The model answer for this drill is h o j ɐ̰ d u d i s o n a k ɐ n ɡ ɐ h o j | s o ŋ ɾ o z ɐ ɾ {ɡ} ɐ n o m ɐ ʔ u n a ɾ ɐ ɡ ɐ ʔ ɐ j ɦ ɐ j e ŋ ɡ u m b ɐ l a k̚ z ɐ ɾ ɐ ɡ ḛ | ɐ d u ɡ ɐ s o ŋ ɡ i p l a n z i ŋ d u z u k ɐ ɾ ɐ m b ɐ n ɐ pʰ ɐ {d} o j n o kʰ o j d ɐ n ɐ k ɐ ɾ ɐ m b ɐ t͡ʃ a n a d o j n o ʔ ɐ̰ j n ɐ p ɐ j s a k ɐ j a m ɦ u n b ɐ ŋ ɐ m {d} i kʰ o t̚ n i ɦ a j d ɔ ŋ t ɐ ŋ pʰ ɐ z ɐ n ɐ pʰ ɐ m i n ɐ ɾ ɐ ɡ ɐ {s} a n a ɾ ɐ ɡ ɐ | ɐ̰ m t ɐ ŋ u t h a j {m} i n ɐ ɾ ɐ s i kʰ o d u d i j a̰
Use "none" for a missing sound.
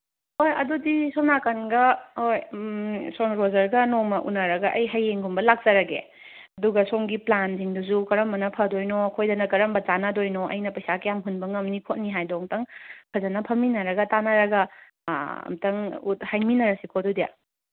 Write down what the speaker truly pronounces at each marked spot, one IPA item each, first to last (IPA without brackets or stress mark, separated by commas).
ɡ, d, n, t, m